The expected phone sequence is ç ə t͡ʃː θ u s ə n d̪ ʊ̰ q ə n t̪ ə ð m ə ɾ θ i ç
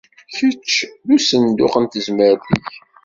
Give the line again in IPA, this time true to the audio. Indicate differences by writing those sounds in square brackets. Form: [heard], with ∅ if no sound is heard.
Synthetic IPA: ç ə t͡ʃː [ð] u s ə n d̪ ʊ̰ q ə n t̪ ə [z] m ə ɾ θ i ç